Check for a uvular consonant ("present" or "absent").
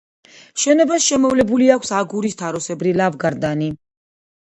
absent